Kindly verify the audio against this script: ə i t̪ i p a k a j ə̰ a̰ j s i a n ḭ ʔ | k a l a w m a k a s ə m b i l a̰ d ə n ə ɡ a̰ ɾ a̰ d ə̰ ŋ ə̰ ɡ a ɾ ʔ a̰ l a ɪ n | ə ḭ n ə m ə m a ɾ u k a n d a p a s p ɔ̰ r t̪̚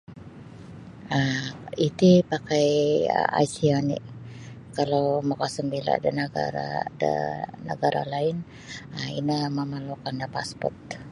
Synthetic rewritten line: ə i t̪ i p a k a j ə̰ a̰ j s i a n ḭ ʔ | k a l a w m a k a s ə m b i l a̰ d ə n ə ɡ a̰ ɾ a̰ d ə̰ n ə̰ ɡ a ɾ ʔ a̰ l a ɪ n | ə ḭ n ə m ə m a l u k a n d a p a s p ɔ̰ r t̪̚